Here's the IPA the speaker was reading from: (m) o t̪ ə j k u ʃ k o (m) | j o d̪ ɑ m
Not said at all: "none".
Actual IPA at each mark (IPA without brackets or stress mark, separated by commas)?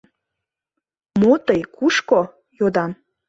m, none